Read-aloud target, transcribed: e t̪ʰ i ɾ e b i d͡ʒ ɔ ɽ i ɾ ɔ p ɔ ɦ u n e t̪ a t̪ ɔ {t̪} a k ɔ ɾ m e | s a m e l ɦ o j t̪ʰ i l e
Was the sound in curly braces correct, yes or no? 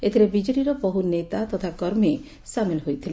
no